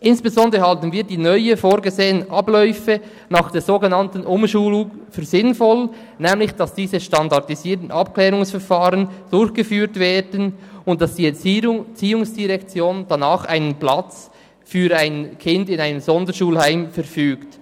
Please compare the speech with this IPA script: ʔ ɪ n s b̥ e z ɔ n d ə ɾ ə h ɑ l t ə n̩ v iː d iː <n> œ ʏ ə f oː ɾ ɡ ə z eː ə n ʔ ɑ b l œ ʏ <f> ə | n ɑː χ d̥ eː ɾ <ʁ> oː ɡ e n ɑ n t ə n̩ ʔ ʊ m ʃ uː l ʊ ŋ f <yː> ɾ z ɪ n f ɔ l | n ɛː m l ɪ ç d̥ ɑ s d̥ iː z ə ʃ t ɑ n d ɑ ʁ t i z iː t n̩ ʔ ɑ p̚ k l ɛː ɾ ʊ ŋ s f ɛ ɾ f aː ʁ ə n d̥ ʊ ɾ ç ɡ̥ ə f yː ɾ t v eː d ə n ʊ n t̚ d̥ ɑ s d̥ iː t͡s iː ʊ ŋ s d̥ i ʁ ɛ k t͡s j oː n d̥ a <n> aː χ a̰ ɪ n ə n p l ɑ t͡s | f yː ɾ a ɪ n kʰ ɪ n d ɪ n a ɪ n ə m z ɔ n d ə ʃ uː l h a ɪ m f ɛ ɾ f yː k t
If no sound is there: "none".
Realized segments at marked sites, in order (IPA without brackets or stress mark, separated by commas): n, f, z, yː, n